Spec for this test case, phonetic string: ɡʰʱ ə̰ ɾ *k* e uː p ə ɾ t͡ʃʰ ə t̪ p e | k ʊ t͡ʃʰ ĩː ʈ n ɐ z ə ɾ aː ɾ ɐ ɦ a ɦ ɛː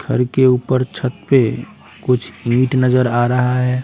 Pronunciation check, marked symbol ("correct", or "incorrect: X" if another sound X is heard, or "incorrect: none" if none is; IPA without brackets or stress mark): correct